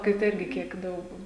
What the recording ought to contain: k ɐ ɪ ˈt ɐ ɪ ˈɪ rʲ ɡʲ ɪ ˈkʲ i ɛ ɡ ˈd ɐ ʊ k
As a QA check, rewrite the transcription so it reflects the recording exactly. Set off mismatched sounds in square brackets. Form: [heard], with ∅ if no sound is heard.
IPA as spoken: k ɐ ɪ ˈt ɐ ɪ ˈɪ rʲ ɡʲ ɪ ˈkʲ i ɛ [k] ˈd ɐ ʊ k